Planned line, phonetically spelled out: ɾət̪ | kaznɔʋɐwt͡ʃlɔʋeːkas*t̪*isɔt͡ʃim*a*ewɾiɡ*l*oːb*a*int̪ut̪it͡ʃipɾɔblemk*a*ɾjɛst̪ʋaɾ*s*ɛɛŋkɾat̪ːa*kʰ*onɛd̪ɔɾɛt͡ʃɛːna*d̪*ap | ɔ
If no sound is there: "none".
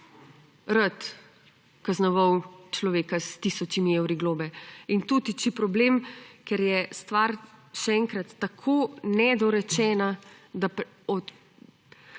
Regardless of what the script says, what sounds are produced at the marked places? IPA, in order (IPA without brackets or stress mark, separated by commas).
t̪, i, l, ɛ, ɛ, ʃ, kʰ, d̪